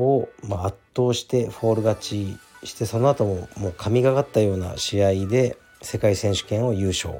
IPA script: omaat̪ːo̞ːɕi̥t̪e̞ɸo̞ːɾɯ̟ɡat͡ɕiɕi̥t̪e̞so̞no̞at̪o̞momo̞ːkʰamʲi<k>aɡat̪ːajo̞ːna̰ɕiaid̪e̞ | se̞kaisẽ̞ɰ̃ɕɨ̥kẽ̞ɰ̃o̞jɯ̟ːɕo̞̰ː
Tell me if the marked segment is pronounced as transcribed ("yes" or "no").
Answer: no